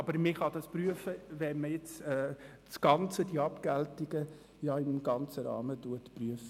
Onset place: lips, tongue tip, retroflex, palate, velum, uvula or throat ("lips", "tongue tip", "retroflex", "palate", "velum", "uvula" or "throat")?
lips